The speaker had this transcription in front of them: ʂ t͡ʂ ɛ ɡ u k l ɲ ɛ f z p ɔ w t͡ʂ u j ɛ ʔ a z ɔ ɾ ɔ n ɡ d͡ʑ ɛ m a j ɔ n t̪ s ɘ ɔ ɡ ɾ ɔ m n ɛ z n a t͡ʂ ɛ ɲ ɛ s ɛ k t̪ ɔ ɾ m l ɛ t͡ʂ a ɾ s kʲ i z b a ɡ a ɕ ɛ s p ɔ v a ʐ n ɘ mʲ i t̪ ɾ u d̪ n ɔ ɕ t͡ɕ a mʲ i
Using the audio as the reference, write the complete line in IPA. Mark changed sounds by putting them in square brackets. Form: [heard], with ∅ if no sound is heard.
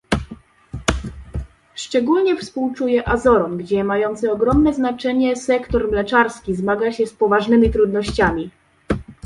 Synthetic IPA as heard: ʂ t͡ʂ ɛ ɡ u [∅] l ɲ ɛ f [s] p [u] w t͡ʂ u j ɛ ʔ a z ɔ ɾ ɔ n ɡ d͡ʑ ɛ m a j ɔ n t̪ s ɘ ɔ ɡ ɾ ɔ m n ɛ z n a t͡ʂ ɛ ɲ ɛ s ɛ k t̪ ɔ ɾ m l ɛ t͡ʂ a ɾ s kʲ i z [m] a ɡ a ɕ ɛ s p ɔ v a ʐ n ɘ mʲ i t̪ ɾ u d̪ n ɔ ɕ t͡ɕ a mʲ i